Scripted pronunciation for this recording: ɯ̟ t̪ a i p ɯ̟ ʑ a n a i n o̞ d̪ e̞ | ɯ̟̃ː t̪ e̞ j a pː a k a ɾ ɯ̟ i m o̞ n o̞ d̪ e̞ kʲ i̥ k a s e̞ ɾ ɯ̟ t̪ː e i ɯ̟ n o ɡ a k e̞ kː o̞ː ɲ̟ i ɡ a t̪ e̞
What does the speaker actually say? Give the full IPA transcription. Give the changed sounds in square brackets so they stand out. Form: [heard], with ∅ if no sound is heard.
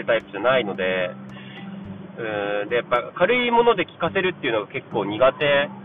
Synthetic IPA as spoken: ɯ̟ t̪ a i p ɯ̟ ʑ a n a i n o̞ d̪ e̞ | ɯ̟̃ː [d̪] e̞ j a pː a k a ɾ ɯ̟ i m o̞ n o̞ d̪ e̞ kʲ i̥ k a s e̞ ɾ ɯ̟ t̪ː e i ɯ̟ n o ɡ a k e̞ kː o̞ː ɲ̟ i ɡ a t̪ e̞